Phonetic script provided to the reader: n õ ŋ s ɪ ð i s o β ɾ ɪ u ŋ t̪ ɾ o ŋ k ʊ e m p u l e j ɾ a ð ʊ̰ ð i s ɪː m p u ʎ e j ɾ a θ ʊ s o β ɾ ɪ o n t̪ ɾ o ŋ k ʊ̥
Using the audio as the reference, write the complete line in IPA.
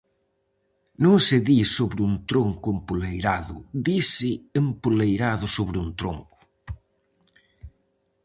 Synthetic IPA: n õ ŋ s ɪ ð i s o β ɾ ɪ u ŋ t̪ ɾ o ŋ k ʊ e m p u l e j ɾ a ð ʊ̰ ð i s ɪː m p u l e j ɾ a ð ʊ s o β ɾ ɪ u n t̪ ɾ o ŋ k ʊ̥